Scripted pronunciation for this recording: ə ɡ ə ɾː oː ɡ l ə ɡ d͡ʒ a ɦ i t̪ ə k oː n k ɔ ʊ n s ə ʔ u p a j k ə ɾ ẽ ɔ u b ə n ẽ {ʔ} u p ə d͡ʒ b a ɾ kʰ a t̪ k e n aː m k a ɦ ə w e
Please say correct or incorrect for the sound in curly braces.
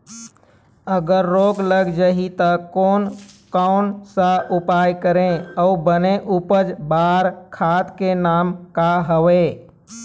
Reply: correct